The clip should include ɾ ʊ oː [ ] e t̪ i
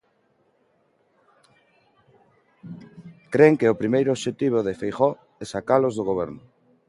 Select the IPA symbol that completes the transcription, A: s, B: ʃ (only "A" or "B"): B